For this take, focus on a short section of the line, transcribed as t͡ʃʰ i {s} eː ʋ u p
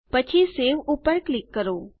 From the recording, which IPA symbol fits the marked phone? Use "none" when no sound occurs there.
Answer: s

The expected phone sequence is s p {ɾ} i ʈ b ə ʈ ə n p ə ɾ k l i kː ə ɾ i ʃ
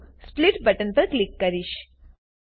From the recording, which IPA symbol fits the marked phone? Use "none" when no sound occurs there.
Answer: l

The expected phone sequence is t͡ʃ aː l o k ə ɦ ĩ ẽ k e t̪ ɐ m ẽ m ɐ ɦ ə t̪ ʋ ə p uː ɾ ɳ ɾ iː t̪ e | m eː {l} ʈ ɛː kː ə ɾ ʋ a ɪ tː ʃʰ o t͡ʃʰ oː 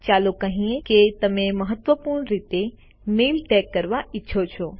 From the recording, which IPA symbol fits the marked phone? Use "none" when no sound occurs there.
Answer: l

